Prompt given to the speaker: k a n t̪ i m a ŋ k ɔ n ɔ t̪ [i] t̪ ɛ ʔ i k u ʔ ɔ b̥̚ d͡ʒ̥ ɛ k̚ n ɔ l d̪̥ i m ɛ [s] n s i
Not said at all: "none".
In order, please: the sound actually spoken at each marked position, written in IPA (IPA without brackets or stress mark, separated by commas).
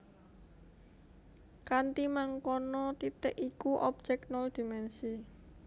i, none